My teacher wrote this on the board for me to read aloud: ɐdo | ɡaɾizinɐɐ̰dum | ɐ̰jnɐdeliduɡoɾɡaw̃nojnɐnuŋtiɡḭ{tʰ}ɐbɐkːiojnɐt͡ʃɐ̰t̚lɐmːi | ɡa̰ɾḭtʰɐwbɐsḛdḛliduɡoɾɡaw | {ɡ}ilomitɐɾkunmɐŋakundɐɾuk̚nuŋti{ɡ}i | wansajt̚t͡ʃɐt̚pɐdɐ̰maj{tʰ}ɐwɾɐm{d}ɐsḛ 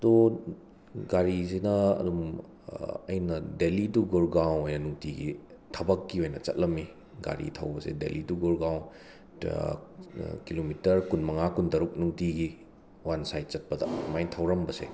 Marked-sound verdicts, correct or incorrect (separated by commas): correct, incorrect, correct, correct, incorrect